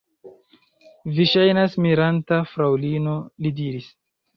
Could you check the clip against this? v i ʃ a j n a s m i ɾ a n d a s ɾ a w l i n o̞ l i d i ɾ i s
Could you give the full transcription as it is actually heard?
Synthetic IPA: v i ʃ a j n a s m i ɾ a n t a f ɾ a w l i n o̞ l i d i ɾ i s